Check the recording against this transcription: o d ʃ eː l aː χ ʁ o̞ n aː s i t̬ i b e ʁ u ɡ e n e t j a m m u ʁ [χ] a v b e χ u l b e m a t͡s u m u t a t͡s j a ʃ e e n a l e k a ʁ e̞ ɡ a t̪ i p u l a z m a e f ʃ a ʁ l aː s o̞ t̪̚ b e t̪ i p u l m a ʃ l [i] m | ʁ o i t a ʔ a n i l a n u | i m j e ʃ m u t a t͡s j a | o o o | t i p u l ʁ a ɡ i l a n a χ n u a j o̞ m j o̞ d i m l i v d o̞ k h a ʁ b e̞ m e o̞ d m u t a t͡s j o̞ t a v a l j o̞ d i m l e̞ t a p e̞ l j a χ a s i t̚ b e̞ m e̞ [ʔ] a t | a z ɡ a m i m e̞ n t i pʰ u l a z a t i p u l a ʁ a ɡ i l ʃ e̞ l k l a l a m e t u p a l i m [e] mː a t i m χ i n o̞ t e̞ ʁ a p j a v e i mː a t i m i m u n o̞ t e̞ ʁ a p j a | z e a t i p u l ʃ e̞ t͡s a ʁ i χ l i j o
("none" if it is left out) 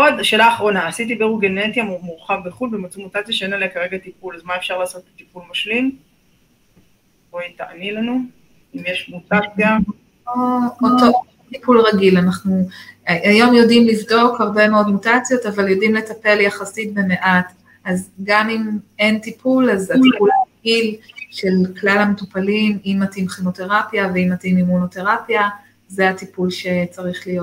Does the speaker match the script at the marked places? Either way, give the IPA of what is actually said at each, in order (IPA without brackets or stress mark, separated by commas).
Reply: χ, i, ʔ, i